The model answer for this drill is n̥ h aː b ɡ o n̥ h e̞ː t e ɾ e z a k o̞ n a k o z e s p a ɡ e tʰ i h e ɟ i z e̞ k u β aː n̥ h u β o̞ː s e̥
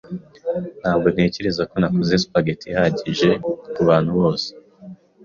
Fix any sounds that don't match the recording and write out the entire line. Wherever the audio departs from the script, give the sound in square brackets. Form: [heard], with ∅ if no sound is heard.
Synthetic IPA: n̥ h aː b ɡ o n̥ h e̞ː [c] e ɾ e z a k o̞ n a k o z e s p a ɡ e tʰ i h [a] ɟ i [ʒ] e̞ k u β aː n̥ h u β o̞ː s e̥